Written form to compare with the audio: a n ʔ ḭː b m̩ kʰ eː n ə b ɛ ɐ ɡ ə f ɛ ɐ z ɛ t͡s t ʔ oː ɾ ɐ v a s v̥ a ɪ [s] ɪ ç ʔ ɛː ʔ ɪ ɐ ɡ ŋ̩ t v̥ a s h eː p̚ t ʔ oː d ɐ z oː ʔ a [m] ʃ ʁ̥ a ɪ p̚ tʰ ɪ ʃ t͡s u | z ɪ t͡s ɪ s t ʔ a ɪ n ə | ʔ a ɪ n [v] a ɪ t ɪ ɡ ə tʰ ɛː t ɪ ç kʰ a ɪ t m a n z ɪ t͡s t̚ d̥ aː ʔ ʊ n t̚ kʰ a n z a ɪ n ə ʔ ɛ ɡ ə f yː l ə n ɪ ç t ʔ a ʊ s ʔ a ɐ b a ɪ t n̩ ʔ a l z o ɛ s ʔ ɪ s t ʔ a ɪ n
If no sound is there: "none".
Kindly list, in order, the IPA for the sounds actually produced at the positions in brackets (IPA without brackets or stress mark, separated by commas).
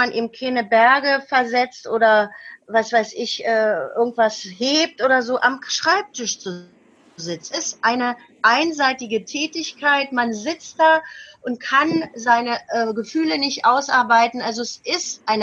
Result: s, m, z